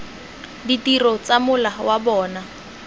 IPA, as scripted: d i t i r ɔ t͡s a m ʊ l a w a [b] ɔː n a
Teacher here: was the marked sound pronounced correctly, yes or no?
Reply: yes